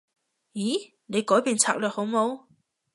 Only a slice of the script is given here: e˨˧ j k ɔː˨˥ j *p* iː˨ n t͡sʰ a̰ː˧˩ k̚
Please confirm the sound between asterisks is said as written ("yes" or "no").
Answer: yes